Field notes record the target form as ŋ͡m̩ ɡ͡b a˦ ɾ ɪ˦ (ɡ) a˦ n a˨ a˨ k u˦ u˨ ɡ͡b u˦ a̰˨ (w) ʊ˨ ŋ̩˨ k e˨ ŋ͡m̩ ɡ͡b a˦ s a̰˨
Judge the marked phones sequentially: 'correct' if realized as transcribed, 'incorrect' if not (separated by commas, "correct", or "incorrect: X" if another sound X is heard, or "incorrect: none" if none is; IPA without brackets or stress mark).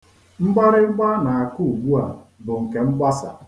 incorrect: ɡ͡b, incorrect: b